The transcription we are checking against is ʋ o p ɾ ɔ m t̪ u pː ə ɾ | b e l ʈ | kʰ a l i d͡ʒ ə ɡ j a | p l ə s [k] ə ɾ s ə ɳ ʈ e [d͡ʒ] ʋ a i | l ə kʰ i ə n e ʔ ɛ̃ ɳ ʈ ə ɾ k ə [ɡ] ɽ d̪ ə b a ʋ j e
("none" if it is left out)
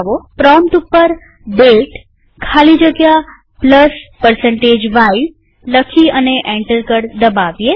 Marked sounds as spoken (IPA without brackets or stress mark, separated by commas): p, d͡ʒ, none